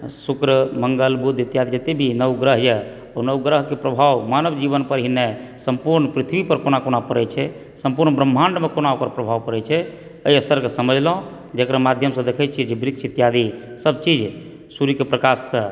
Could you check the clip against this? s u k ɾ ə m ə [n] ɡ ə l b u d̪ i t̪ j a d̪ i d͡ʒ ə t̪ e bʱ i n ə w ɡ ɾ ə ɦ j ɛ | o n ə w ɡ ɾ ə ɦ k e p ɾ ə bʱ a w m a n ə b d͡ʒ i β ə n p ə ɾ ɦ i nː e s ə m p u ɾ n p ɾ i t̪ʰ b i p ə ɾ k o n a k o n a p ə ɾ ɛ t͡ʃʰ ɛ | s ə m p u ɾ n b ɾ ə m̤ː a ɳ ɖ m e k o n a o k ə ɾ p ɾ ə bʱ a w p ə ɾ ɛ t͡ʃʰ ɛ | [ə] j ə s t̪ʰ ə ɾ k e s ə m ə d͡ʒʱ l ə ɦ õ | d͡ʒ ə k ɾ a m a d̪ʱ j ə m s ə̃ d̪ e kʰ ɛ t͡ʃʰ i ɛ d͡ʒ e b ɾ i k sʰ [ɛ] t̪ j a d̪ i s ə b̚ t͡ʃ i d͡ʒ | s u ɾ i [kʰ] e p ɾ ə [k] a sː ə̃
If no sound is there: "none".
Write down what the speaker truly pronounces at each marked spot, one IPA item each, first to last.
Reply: ŋ, ə, i, k, k

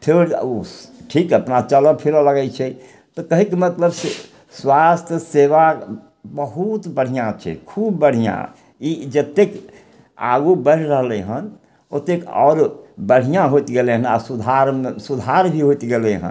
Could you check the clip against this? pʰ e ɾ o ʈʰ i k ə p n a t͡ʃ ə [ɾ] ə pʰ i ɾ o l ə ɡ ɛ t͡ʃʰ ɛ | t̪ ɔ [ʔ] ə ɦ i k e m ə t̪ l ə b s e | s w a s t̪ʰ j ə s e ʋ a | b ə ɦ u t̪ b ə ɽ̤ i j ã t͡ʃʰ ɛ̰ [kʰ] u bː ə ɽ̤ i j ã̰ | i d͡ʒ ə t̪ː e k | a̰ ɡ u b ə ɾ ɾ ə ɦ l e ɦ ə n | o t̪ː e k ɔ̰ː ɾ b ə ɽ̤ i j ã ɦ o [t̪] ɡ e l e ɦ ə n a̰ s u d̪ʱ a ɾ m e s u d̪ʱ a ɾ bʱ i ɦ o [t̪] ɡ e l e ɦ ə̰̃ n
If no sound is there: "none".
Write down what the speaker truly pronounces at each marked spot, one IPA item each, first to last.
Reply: l, k, kʰ, t̪, t̪

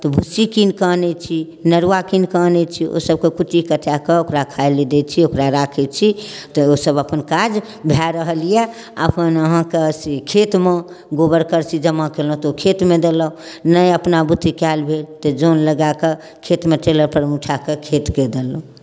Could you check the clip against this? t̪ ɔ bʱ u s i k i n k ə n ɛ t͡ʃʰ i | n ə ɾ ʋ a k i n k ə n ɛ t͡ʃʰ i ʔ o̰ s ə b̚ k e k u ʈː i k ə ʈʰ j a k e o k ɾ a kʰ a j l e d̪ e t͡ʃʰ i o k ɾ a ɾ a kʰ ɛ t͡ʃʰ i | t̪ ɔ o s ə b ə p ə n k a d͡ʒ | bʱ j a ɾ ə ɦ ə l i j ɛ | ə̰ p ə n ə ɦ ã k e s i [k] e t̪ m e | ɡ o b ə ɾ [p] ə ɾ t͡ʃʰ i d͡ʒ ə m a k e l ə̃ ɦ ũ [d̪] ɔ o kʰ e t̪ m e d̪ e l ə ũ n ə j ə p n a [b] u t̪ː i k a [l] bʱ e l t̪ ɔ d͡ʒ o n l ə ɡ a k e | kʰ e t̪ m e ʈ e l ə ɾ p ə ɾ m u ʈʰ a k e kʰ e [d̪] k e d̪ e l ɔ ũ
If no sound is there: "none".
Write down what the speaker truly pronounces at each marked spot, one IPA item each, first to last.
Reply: kʰ, k, t̪, b, l, t̪

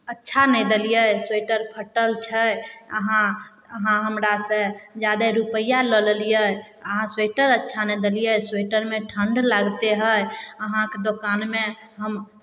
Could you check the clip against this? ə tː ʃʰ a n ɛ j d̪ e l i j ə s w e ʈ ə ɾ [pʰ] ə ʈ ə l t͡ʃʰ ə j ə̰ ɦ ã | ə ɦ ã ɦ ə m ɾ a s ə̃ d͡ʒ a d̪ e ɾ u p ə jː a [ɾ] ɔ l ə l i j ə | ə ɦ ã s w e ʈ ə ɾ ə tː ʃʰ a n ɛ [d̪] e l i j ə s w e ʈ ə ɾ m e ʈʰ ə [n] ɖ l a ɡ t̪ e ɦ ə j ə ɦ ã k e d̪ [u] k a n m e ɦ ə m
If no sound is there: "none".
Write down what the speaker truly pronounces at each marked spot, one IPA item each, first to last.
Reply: pʰ, l, d̪, ɳ, o

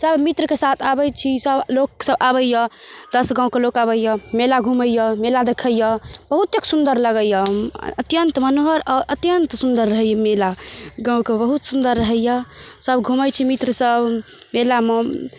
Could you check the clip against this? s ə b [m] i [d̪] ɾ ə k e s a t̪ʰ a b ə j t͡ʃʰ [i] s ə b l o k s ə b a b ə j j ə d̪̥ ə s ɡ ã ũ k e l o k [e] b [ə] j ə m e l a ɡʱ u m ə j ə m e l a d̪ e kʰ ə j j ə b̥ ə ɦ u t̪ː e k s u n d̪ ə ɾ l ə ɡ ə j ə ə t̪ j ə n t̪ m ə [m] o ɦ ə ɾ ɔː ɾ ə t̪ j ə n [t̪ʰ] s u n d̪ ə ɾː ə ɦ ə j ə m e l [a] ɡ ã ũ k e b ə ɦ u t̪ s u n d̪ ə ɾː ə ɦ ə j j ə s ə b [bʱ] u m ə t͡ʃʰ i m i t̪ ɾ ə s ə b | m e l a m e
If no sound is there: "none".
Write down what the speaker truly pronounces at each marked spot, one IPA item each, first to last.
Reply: m, t̪, i, a, ə, n, t̪, a, ɡʱ

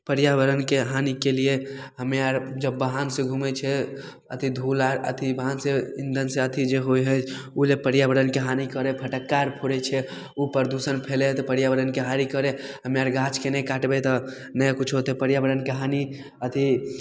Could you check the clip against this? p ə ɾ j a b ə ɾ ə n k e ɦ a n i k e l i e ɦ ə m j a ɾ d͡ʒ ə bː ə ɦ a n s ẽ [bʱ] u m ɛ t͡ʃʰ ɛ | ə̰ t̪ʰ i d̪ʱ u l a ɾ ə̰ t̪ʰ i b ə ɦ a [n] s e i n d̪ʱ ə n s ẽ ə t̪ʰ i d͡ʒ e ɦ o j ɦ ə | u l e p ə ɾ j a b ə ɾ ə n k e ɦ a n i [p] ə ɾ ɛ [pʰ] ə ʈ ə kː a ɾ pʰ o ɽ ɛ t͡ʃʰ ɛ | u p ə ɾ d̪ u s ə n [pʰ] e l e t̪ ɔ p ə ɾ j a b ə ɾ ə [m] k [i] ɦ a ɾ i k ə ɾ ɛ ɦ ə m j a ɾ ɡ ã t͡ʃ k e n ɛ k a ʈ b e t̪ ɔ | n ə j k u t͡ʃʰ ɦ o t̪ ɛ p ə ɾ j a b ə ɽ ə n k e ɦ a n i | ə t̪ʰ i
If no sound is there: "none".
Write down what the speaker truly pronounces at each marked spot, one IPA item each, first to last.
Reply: ɡʱ, n, k, pʰ, pʰ, n, e

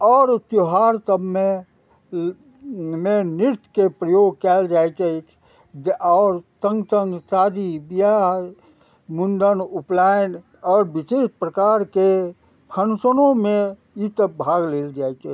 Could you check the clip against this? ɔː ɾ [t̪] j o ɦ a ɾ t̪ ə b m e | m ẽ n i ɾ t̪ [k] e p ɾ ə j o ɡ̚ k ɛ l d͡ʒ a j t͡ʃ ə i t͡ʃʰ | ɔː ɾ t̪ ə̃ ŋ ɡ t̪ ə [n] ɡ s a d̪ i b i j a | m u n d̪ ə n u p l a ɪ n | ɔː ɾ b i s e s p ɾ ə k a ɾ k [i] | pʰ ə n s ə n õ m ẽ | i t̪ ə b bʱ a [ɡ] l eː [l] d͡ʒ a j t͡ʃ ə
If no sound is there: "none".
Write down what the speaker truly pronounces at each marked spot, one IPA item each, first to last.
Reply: t̪, k, ŋ, e, ɡ, l

